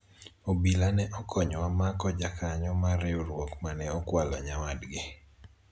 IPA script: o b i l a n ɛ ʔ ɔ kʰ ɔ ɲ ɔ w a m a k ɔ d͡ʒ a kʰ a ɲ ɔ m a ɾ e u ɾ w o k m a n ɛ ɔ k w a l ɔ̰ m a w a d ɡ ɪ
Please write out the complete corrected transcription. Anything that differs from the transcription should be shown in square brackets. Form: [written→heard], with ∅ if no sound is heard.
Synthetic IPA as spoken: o b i l a n ɛ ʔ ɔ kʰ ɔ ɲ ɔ w a m a k ɔ d͡ʒ a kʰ a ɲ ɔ m a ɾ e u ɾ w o k m a n ɛ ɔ k w a l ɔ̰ [m→ɲ] a w a d ɡ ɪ